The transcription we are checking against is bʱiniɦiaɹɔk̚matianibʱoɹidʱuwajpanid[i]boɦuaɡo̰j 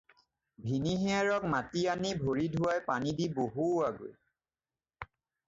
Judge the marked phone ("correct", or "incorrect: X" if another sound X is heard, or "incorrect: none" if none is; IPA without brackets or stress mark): correct